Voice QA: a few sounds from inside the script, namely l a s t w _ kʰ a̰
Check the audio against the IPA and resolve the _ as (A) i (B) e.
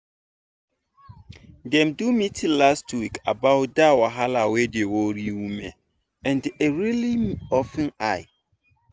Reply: A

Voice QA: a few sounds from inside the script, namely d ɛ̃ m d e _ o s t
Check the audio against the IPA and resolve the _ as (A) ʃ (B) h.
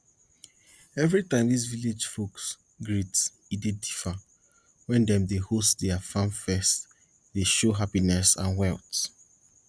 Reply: B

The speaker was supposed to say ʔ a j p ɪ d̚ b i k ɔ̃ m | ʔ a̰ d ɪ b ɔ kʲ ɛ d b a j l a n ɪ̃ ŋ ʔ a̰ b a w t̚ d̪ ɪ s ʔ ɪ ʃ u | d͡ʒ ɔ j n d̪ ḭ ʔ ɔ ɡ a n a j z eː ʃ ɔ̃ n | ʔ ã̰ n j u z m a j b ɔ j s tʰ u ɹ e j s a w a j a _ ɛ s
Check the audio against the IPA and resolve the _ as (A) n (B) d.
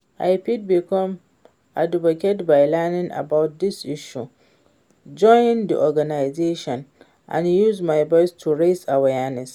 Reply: A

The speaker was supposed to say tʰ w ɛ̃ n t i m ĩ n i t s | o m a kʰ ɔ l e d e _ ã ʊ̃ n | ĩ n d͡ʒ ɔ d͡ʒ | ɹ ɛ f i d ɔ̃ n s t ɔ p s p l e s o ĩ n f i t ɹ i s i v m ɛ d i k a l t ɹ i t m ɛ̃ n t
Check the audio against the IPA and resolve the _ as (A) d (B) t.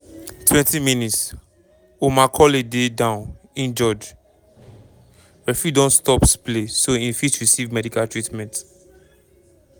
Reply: A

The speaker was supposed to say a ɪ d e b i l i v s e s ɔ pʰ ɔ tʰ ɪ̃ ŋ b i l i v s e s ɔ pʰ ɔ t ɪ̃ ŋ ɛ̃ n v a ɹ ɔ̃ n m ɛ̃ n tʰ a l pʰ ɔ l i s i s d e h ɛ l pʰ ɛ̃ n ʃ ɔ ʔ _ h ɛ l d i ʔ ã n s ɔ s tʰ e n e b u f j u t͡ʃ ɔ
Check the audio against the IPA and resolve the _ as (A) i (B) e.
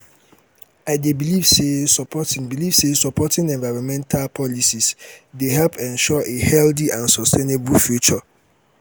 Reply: B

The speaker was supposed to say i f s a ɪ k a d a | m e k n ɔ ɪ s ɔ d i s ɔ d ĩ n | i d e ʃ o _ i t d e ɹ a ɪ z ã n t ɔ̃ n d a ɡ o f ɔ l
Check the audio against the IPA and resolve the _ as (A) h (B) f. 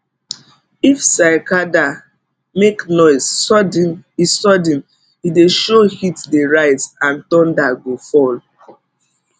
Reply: A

